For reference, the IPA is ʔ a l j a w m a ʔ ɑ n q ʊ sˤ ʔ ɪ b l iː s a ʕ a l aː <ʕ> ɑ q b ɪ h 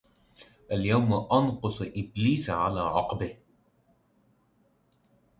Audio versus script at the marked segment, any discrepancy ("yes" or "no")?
no